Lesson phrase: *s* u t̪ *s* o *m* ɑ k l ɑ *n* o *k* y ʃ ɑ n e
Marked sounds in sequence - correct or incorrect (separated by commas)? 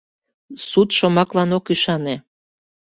correct, incorrect, correct, correct, correct